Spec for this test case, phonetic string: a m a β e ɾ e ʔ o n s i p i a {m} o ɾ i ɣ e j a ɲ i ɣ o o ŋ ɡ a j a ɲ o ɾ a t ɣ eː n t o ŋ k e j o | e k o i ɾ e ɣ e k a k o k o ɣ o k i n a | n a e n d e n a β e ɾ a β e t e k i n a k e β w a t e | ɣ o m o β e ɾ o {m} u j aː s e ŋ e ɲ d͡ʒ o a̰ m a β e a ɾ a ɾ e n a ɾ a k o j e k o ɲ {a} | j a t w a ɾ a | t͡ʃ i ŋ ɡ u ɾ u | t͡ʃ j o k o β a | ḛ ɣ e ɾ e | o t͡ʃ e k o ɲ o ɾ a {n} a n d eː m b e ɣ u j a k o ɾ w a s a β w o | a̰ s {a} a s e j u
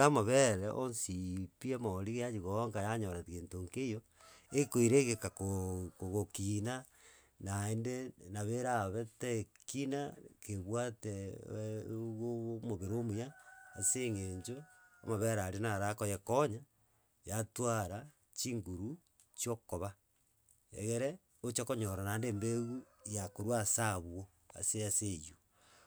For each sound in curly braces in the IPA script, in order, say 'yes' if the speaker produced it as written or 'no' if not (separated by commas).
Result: yes, yes, yes, yes, no